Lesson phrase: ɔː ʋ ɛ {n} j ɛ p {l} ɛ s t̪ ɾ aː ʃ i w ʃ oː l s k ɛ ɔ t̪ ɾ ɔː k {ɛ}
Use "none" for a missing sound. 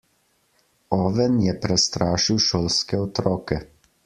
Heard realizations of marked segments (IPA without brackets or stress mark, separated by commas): n, ɾ, ɛ